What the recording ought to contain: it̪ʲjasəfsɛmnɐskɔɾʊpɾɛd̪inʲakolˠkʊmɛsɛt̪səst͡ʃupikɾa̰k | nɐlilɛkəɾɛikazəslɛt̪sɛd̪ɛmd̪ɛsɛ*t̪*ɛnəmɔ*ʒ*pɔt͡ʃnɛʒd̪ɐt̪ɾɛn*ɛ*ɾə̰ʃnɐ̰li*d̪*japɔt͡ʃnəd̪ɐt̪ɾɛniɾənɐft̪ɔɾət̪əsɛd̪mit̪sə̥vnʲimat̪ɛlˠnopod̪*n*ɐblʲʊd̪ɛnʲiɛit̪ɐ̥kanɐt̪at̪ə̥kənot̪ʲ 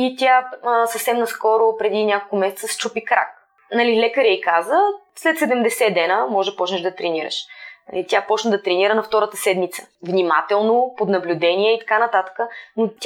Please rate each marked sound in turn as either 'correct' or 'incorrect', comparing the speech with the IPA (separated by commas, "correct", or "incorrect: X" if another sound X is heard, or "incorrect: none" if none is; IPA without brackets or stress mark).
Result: incorrect: d̪, correct, incorrect: i, incorrect: t̪, correct